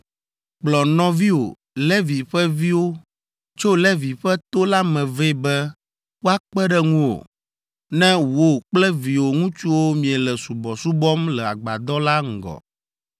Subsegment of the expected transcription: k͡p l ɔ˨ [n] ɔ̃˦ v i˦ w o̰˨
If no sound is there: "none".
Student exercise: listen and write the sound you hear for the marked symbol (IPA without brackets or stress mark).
n